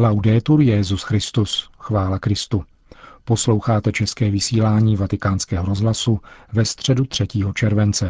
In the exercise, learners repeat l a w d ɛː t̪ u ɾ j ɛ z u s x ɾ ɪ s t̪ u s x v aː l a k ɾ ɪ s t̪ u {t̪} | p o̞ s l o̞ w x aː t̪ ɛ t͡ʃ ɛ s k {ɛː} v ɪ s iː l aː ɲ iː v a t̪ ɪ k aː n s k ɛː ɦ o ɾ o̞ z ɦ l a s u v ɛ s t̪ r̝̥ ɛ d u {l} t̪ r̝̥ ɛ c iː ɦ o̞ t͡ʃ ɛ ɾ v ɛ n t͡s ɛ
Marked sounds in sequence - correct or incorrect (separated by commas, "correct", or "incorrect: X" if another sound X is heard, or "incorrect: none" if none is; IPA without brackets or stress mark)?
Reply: incorrect: none, correct, incorrect: none